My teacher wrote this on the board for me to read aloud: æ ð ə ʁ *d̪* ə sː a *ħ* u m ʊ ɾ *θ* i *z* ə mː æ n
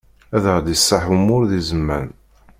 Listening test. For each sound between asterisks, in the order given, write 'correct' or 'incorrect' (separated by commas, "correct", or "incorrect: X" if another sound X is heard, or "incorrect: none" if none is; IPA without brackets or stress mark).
correct, correct, incorrect: ð, correct